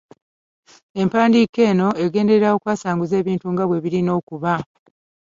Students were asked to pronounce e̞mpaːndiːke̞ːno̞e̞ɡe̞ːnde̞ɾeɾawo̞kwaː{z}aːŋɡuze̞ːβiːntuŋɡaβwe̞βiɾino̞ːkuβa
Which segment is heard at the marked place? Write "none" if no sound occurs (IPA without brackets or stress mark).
s